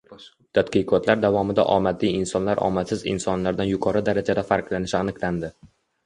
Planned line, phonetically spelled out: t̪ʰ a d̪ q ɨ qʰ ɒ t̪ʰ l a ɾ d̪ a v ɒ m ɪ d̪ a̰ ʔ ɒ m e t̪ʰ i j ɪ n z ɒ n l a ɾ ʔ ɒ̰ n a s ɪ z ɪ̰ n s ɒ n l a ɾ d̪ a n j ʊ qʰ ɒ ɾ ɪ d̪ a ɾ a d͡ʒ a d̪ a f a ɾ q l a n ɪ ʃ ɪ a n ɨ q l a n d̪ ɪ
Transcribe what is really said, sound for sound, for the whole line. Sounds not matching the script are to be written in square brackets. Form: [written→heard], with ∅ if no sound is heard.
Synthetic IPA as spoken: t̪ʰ a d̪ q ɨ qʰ ɒ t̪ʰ l a ɾ d̪ a v ɒ m ɪ d̪ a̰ ʔ ɒ m [e→a] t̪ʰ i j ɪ n [z→s] ɒ n l a ɾ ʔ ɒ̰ [n→m] a s ɪ z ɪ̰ n s ɒ n l a ɾ d̪ a n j ʊ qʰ ɒ ɾ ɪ d̪ a ɾ a d͡ʒ a d̪ a f a ɾ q l a n ɪ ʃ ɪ a n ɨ q l a n d̪ ɪ